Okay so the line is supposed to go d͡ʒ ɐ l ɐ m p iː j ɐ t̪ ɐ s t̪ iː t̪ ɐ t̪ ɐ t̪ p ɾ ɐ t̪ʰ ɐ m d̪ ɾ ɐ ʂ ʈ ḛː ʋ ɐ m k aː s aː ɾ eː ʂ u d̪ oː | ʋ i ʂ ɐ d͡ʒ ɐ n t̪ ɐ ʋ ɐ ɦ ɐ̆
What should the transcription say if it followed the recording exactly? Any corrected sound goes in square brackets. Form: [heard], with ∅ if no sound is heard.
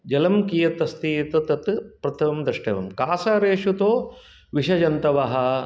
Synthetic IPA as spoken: d͡ʒ ɐ l ɐ m [k] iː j ɐ t̪ ɐ s t̪ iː t̪ ɐ t̪ ɐ t̪ p ɾ ɐ t̪ʰ ɐ m d̪ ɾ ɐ ʂ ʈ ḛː ʋ ɐ m k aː s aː ɾ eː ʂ u [t̪] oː | ʋ i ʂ ɐ d͡ʒ ɐ n t̪ ɐ ʋ ɐ ɦ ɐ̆